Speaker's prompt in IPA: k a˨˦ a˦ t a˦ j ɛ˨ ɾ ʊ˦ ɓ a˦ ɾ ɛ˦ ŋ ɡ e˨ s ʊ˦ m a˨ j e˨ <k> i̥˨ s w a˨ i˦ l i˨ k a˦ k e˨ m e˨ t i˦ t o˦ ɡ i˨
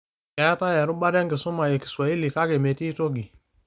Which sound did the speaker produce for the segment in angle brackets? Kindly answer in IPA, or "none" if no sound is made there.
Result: k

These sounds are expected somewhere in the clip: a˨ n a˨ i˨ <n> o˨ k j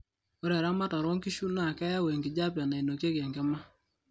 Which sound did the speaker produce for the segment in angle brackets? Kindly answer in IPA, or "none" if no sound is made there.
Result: n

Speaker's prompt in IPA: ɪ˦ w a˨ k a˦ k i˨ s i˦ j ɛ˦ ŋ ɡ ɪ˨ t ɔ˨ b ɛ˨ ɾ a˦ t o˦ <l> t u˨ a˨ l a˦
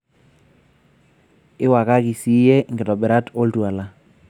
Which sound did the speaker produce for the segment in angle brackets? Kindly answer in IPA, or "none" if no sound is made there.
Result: l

